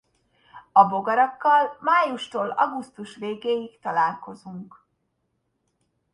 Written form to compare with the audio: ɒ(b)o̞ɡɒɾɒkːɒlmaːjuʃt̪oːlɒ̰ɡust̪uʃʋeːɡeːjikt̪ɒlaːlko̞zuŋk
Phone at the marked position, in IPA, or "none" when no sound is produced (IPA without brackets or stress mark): b